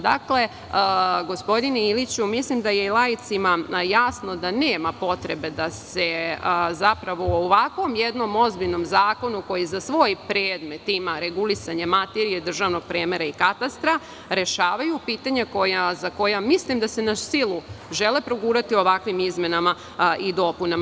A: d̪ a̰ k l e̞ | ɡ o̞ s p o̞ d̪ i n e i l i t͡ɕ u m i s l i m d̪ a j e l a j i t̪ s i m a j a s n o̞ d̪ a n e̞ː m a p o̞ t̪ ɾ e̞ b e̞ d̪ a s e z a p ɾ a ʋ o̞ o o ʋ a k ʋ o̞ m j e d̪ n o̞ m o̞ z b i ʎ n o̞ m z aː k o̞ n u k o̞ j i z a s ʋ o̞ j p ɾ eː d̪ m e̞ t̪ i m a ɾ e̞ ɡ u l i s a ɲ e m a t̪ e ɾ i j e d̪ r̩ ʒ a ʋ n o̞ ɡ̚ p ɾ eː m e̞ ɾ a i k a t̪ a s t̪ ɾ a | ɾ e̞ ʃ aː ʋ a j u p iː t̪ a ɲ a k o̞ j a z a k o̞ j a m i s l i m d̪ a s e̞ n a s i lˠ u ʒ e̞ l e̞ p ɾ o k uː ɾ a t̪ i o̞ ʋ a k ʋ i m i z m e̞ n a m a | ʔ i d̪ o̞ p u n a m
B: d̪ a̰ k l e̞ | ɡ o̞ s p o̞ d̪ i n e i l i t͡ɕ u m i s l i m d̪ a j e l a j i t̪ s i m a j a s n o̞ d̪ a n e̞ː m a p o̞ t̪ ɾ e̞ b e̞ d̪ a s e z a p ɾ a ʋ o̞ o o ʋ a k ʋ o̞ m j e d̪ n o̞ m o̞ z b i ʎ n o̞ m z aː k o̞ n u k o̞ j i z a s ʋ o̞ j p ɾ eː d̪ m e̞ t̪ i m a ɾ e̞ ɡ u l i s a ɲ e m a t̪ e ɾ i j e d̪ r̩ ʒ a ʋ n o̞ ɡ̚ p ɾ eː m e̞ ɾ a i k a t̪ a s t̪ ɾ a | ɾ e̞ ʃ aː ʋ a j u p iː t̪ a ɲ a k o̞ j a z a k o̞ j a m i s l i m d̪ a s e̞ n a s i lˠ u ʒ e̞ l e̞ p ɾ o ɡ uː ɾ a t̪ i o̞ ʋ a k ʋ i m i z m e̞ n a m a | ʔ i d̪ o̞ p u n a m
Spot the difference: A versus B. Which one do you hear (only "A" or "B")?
B